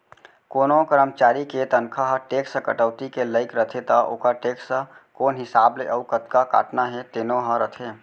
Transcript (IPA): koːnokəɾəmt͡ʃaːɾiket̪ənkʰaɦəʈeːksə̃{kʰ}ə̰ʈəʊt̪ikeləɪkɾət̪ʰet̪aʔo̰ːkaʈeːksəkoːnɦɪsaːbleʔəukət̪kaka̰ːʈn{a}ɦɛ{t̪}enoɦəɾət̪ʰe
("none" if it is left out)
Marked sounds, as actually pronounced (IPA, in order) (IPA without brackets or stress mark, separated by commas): k, a, t̪